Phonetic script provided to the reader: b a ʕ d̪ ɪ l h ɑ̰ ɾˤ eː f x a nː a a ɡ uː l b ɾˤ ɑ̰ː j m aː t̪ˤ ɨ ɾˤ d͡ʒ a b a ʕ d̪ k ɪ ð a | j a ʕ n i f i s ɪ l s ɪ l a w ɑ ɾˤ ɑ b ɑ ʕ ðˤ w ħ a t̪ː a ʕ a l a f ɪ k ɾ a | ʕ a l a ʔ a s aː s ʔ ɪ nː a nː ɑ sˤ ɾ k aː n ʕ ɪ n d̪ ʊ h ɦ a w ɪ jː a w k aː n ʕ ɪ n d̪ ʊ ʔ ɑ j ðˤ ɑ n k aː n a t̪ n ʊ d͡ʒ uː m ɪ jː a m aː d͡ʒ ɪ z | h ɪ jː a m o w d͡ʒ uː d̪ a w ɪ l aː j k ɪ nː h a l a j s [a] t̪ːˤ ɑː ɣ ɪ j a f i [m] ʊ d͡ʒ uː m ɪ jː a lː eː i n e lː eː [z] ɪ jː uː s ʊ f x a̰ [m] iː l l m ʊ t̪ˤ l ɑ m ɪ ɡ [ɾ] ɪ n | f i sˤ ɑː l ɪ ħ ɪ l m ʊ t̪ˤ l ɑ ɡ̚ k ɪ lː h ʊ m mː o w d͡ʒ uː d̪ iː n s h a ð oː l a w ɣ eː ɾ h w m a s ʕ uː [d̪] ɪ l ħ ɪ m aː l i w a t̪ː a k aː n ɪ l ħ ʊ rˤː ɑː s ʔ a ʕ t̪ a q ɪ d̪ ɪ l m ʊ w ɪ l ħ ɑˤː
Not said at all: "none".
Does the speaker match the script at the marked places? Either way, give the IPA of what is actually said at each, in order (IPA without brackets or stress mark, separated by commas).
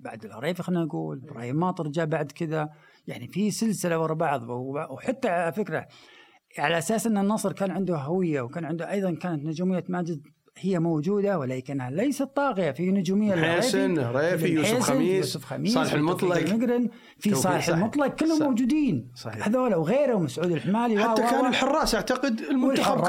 a, n, s, m, ɾ, d̪